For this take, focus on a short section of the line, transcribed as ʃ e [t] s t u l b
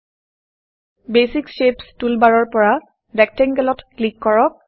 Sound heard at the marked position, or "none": p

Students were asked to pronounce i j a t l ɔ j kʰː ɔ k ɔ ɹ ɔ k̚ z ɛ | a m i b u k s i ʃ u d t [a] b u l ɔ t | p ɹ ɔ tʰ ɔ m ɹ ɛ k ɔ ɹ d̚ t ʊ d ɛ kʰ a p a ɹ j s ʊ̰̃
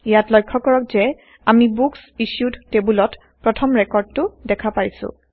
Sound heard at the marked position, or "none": e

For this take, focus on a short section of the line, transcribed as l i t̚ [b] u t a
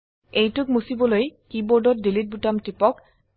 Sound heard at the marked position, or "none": b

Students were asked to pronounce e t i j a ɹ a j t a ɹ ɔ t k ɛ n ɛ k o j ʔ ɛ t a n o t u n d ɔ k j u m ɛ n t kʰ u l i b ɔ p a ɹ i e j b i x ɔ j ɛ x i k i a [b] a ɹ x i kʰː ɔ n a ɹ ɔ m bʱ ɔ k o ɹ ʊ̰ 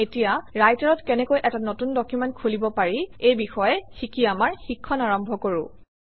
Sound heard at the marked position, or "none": m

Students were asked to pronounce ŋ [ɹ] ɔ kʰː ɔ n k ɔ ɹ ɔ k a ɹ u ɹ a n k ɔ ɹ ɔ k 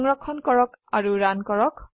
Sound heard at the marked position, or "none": ɹ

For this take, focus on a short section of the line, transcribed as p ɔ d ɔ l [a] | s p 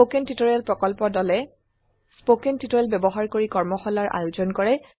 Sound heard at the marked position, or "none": ɛ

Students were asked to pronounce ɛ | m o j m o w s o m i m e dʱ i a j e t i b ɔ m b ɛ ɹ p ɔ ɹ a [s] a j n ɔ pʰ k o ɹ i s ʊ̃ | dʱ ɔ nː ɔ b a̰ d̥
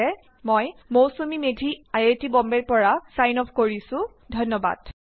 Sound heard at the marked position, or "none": s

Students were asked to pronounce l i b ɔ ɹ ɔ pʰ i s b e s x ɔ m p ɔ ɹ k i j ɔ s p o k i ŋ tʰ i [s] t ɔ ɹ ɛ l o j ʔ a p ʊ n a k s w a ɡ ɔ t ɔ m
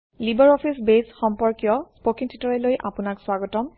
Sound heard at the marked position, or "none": none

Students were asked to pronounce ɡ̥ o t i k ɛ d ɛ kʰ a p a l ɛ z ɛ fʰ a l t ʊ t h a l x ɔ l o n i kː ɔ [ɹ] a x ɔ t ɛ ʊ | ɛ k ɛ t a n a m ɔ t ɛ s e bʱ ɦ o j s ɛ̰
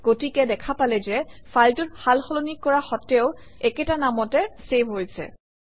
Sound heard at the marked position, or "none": ɹ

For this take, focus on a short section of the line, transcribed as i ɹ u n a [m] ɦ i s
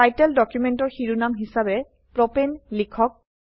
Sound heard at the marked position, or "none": m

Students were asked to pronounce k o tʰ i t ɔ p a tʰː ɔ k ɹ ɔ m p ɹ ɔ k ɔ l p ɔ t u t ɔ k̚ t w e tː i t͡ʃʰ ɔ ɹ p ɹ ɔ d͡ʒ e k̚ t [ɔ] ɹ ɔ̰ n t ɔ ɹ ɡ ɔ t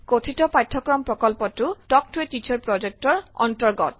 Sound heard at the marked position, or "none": ɔ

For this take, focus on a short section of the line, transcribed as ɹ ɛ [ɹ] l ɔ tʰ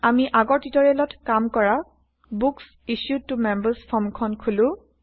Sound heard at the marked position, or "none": none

